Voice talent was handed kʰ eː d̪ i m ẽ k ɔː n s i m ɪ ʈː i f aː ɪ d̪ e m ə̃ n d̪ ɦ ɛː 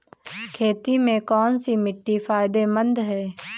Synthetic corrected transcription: kʰ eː t̪ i m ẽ k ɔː n s i m ɪ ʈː i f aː ɪ d̪ e m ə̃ n d̪ ɦ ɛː